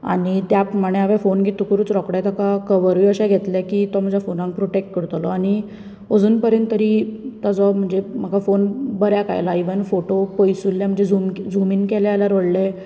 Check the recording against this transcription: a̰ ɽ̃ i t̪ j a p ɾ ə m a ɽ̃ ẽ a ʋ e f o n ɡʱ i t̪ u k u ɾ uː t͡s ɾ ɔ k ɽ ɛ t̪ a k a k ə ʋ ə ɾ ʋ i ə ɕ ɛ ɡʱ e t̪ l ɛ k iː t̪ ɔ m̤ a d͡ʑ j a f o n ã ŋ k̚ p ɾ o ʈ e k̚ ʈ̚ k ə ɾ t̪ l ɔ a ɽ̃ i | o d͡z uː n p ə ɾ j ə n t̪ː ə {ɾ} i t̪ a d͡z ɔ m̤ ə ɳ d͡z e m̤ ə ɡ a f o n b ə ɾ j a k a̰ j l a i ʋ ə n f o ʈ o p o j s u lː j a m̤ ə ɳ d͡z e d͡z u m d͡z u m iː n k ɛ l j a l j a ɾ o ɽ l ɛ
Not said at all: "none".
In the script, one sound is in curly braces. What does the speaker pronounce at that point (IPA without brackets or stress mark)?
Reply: ɾ